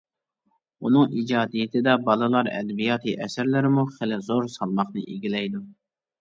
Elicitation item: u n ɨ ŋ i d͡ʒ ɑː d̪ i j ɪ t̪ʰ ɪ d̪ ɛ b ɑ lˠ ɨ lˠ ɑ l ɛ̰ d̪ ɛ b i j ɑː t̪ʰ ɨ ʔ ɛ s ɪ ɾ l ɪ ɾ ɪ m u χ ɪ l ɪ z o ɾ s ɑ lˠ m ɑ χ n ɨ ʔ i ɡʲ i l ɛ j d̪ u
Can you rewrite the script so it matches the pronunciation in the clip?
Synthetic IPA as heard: u n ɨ ŋ i d͡ʒ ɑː d̪ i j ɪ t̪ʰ ɪ d̪ ɛ b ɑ lˠ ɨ lˠ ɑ ɾ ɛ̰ d̪ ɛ b i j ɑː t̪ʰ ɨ ʔ ɛ s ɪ ɾ l ɪ ɾ ɪ m u χ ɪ l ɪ z o ɾ s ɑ lˠ m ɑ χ n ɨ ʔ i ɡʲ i l ɛ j d̪ u